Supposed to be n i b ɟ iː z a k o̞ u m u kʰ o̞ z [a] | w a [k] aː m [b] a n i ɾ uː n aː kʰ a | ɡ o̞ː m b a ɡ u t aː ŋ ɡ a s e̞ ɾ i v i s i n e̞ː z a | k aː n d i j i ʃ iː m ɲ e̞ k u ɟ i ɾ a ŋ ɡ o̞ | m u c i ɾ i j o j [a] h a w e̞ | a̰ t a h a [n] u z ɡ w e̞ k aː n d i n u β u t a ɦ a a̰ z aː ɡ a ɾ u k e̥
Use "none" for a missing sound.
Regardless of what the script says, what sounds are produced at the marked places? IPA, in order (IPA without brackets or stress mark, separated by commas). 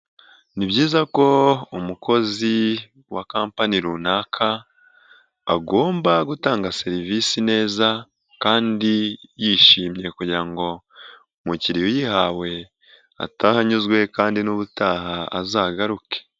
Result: i, k, p, i, ɲ